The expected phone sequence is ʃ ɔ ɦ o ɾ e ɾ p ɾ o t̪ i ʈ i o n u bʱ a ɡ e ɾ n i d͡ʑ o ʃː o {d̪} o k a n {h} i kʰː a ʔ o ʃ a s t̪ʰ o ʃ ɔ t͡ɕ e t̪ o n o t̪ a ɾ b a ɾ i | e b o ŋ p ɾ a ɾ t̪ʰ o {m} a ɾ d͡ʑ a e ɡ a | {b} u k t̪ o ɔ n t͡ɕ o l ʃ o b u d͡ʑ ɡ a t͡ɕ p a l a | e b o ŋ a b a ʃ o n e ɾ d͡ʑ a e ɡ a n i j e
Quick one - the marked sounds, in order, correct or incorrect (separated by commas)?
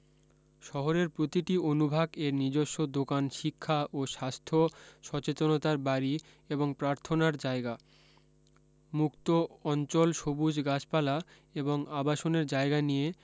correct, incorrect, incorrect, incorrect